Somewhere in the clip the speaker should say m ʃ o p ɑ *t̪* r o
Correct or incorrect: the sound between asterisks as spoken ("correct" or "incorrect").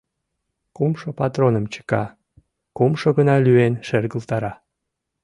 correct